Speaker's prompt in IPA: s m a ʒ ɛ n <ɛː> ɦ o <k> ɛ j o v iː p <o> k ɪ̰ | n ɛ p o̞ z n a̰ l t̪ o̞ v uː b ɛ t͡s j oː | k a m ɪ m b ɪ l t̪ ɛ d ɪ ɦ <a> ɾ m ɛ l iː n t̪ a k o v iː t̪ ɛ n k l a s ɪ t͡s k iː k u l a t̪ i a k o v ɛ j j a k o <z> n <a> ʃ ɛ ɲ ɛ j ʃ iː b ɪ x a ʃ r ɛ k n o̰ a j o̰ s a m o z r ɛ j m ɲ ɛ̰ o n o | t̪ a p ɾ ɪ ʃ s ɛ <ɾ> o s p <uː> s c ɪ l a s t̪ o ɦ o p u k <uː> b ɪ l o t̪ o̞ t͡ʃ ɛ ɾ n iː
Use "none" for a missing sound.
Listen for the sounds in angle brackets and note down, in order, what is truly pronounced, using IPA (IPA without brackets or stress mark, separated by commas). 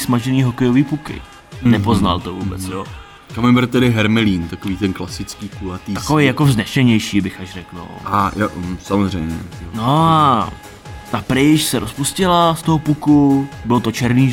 iː, k, u, ɛ, z, ɛ, ɾ, u, u